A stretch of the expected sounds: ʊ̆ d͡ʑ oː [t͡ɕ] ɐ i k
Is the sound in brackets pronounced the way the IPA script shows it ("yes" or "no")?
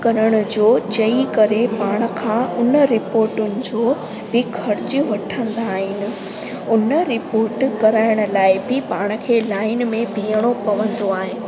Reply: yes